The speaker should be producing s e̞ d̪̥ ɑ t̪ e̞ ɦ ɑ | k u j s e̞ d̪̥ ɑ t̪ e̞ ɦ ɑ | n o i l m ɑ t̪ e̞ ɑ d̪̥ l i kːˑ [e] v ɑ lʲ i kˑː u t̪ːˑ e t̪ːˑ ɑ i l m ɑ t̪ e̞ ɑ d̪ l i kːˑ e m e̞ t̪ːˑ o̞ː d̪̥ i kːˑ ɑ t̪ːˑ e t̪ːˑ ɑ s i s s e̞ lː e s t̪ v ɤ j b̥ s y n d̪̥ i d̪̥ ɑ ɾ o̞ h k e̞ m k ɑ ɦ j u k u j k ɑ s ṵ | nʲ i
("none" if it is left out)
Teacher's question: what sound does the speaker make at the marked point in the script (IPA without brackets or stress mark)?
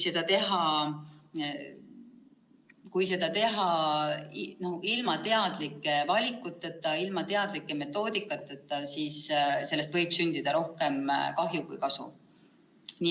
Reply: e